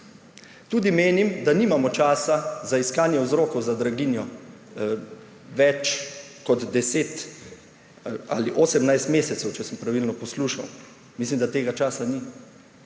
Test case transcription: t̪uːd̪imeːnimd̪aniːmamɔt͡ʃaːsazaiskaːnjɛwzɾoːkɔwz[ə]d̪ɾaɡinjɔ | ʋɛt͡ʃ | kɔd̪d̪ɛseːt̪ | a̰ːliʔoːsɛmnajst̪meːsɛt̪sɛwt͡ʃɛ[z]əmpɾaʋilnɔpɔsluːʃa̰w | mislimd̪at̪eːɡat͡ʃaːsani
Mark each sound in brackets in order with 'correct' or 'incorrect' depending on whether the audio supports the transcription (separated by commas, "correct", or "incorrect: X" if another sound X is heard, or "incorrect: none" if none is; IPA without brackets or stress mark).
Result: incorrect: a, incorrect: s